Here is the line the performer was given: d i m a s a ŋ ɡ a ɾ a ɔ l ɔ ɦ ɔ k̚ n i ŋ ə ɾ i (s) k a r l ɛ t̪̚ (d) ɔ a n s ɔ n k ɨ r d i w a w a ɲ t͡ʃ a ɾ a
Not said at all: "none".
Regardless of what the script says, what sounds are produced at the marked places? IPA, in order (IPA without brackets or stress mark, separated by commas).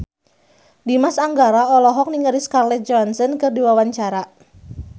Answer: s, d͡ʒ